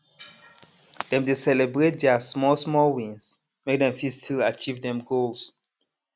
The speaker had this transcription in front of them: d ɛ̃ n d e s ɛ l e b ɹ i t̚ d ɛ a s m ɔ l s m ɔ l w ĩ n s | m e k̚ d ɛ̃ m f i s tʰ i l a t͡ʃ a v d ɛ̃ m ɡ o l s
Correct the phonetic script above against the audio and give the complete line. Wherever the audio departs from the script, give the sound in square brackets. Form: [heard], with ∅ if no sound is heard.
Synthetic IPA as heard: d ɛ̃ [m] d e s ɛ l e b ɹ [e] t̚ d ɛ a s m ɔ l s m ɔ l w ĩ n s | m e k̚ d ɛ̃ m f i s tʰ i l a t͡ʃ [i] v d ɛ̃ m ɡ o l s